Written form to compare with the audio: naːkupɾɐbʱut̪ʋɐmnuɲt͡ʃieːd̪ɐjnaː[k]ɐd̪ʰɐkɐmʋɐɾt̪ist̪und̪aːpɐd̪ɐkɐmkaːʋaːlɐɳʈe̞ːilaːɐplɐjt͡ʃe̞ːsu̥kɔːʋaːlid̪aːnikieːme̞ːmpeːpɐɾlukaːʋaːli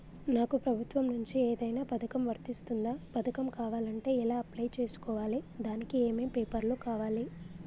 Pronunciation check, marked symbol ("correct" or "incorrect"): incorrect